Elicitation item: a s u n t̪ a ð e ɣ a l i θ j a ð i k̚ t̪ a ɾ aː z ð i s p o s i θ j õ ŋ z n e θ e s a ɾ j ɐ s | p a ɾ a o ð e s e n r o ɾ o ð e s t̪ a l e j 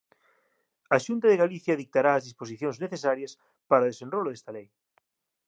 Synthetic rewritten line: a ʃ u n t̪ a ð e ɣ a l i θ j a ð i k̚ t̪ a ɾ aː z ð i s p o s i θ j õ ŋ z n e θ e s a ɾ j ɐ s | p a ɾ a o ð e s e n r o l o ð e s t̪ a l e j